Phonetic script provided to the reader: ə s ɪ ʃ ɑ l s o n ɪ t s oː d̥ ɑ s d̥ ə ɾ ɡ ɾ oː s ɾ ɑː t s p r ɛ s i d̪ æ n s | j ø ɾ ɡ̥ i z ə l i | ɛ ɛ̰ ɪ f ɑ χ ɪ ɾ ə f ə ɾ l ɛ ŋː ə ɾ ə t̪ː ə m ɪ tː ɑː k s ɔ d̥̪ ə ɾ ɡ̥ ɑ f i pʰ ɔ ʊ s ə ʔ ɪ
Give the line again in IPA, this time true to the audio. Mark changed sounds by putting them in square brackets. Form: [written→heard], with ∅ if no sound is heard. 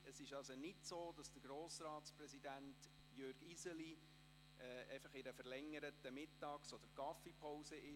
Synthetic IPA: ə s ɪ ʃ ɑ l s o n ɪ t s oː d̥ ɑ s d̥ ə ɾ ɡ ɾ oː s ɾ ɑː t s p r ɛ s i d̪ æ n [s→t] | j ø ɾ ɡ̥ i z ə l i | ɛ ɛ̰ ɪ f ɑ χ ɪ ɾ ə f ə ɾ l ɛ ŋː ə ɾ ə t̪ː ə m ɪ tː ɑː k s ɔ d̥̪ ə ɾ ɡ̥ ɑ f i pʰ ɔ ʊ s ə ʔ ɪ